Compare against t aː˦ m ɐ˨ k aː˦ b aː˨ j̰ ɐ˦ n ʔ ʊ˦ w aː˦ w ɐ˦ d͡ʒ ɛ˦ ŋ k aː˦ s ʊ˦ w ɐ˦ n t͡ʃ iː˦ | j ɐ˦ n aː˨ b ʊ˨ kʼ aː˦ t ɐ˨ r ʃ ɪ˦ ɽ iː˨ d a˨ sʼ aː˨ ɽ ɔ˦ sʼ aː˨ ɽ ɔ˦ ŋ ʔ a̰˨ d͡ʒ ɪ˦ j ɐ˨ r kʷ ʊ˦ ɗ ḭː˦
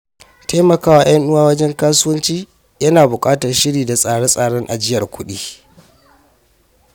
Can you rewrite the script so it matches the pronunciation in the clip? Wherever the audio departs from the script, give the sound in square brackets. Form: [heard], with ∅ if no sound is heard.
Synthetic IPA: t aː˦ m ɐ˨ k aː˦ [w] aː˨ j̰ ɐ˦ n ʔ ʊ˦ w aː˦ w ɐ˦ d͡ʒ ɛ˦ ŋ k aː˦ s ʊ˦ w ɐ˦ n t͡ʃ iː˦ | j ɐ˦ n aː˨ b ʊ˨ kʼ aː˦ t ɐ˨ r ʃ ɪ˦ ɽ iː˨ d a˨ sʼ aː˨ ɽ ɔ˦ sʼ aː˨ ɽ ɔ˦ ŋ ʔ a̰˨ d͡ʒ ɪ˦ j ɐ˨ r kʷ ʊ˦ ɗ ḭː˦